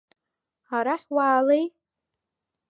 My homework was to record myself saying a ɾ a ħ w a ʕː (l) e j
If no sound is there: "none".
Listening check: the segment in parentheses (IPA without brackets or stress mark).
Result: l